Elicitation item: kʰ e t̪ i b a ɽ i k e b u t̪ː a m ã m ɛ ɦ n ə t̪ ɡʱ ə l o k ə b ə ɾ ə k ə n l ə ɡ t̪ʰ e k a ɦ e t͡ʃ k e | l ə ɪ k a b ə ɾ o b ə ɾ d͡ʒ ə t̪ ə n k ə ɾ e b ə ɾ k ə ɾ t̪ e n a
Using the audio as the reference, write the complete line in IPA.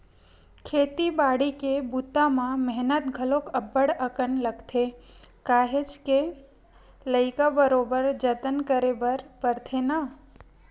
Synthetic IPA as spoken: kʰ e t̪ i b a ɽ i k e b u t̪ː a m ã m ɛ ɦ n ə t̪ ɡʱ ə l o k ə b ə ɽ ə k ə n l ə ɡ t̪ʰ e k a ɦ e t͡ʃ k e | l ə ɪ k a b ə ɾ o b ə ɾ d͡ʒ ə t̪ ə n k ə ɾ e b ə ɾ p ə ɾ t̪ʰ e n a